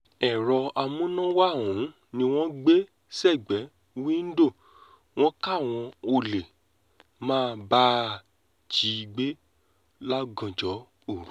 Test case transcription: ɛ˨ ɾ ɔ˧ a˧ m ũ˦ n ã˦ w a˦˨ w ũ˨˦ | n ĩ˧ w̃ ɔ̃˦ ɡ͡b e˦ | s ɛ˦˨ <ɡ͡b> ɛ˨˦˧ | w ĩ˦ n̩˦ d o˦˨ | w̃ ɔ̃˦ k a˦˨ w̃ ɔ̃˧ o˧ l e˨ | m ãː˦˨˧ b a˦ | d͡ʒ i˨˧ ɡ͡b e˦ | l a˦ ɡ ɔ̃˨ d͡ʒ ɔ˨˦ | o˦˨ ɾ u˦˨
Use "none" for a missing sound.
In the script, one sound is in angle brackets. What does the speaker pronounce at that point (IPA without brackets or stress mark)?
ɡ͡b